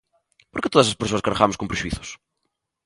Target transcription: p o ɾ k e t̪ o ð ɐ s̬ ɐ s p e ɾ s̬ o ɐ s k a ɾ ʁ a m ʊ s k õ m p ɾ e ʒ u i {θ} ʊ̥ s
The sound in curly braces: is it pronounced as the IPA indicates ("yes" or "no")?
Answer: yes